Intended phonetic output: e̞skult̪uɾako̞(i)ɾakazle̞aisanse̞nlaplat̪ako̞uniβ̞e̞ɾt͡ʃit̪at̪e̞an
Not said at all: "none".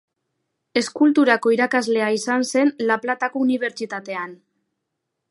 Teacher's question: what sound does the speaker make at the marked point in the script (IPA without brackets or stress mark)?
i